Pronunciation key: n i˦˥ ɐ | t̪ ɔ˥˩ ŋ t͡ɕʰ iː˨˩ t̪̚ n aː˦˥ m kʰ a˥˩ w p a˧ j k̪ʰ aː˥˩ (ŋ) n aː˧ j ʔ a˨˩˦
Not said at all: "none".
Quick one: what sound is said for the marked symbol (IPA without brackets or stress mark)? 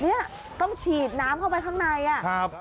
ŋ